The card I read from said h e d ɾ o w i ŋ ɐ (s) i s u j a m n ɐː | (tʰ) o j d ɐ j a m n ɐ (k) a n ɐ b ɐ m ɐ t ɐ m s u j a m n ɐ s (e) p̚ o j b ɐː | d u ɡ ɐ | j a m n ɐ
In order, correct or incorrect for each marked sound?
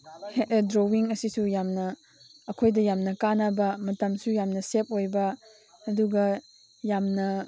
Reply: correct, incorrect: kʰ, correct, correct

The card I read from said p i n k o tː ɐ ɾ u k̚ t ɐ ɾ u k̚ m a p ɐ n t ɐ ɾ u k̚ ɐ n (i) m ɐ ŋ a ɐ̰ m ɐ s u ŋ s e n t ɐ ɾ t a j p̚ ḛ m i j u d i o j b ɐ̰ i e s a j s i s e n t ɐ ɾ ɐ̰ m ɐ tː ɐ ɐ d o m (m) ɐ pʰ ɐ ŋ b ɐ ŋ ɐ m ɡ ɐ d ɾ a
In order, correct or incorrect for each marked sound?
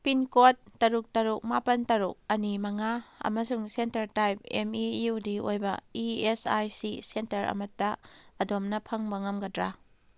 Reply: correct, incorrect: n

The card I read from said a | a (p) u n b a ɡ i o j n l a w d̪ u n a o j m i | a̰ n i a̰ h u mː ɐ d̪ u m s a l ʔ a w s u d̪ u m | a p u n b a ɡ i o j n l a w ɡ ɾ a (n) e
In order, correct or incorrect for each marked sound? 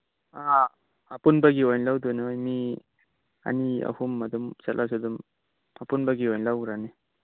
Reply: correct, correct

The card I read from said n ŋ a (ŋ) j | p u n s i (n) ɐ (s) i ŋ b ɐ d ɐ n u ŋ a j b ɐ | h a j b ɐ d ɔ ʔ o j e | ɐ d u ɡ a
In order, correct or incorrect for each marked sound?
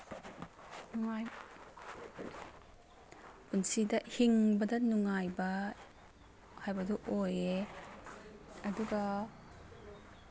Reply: incorrect: none, incorrect: d, incorrect: h

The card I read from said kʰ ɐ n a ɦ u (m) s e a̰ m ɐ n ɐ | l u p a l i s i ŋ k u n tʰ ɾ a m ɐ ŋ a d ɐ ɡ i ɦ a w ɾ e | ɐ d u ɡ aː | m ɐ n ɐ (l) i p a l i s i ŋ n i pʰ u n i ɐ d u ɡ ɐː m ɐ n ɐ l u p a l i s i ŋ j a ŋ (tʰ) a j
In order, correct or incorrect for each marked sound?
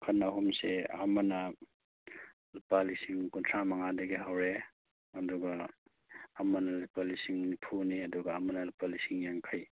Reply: correct, correct, incorrect: kʰ

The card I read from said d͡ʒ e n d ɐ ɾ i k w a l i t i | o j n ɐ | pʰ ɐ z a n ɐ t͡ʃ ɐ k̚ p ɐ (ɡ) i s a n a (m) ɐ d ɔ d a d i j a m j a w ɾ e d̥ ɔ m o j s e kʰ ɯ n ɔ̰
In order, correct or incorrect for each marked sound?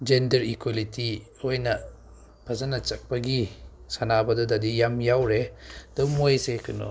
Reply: correct, incorrect: b

